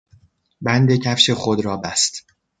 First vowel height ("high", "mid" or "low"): low